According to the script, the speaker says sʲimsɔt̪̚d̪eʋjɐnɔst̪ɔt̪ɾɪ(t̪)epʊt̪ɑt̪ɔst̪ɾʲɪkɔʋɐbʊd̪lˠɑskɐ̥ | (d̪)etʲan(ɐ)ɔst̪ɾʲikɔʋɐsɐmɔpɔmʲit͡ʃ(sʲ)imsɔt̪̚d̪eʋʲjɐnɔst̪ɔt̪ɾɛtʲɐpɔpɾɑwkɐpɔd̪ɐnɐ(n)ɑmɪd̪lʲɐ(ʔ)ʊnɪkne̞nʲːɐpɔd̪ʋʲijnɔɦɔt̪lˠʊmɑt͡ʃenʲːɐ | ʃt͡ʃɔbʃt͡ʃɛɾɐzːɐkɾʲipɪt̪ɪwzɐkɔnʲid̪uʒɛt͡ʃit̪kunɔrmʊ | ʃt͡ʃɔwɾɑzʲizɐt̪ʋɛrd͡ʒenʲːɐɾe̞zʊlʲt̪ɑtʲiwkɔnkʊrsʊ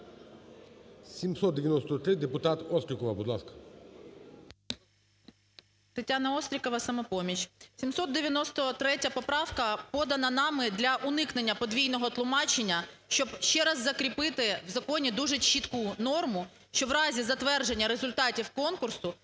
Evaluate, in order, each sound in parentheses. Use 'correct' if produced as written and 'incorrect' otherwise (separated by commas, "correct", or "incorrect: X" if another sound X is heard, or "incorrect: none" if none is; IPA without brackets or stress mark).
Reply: incorrect: d̪, incorrect: t̪, correct, correct, correct, correct